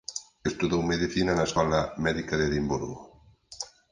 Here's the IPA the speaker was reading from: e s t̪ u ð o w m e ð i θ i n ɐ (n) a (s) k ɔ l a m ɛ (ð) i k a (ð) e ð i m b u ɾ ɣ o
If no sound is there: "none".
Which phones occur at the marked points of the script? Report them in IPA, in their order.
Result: n, s, ð, ð

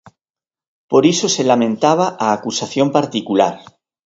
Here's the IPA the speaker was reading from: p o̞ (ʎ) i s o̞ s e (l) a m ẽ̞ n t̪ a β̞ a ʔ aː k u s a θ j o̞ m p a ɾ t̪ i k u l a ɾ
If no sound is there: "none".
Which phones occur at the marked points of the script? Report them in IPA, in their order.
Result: ɾ, l

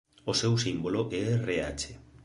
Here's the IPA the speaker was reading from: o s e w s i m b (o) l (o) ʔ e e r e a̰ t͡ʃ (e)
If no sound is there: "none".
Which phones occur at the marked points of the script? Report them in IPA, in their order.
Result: o, o, e

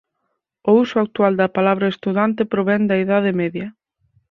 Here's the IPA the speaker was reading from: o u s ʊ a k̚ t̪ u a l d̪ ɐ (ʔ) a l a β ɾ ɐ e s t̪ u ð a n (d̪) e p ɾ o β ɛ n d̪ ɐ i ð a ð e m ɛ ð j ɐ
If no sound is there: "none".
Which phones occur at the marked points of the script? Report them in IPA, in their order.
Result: p, t̪

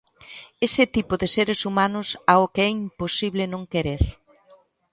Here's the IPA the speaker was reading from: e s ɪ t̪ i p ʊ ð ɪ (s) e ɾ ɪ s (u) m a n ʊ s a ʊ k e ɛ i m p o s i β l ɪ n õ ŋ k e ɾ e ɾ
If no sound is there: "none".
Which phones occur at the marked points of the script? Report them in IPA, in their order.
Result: s, u

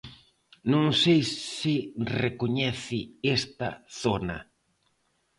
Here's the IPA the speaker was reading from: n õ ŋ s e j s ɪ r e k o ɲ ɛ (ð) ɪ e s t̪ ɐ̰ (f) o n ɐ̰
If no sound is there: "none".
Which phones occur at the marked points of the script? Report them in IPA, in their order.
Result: θ, θ

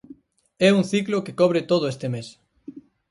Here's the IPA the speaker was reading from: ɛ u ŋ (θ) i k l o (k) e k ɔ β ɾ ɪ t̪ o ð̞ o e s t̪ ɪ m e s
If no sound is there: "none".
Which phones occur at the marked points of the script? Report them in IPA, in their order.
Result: θ, k

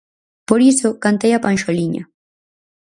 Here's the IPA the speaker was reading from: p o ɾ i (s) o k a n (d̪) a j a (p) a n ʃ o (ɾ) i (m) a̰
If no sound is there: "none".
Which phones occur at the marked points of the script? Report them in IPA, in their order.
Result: s, t̪, p, l, ɲ

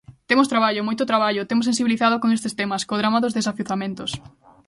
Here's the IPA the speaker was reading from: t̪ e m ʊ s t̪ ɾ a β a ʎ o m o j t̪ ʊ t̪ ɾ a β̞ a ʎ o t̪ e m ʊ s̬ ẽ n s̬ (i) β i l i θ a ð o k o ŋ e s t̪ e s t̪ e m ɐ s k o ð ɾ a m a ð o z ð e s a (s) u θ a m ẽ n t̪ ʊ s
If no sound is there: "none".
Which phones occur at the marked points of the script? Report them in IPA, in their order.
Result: i, f

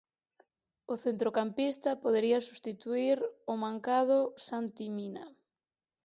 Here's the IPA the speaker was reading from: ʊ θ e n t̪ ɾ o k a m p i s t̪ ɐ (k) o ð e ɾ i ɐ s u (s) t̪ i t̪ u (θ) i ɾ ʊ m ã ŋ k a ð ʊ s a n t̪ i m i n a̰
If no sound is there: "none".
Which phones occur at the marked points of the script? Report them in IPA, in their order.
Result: p, s, none

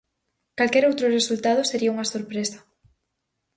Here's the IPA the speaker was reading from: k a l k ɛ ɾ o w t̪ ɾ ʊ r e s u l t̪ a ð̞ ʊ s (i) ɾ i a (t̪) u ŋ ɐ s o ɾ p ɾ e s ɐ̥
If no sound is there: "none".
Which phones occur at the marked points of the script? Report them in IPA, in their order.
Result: e, none

